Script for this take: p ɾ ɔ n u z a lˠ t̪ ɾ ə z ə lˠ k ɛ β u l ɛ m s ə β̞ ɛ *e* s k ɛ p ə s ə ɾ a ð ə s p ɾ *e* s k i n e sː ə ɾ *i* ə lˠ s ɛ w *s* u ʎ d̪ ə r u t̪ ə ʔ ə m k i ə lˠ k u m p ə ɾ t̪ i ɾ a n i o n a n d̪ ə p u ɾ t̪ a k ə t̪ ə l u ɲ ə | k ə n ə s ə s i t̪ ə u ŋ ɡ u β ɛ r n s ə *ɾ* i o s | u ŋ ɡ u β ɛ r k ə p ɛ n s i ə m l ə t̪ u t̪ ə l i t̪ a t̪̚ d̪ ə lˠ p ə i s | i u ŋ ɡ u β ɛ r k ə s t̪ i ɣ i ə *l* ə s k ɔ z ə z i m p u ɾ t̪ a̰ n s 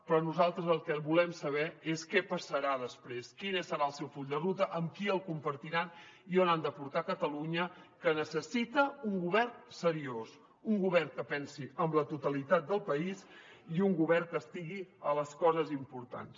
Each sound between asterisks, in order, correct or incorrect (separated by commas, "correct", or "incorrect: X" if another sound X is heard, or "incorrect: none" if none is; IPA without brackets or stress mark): correct, correct, incorrect: a, incorrect: f, correct, correct